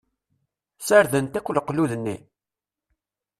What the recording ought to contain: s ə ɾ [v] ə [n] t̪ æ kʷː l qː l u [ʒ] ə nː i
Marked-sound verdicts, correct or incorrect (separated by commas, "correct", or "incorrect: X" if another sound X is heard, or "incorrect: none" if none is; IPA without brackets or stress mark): incorrect: ð, correct, incorrect: ð